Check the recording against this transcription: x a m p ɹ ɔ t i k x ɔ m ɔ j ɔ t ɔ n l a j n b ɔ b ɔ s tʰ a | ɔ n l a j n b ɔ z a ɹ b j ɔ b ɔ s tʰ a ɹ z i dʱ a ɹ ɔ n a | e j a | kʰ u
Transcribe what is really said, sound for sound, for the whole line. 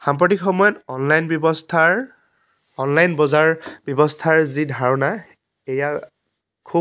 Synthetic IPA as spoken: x a m p ɹ ɔ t i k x ɔ m ɔ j ɔ t ɔ n l a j n b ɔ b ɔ s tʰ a | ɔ n l a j n b ɔ z a ɹ b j ɔ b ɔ s tʰ a ɹ z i dʱ a ɹ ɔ n a | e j a | kʰ u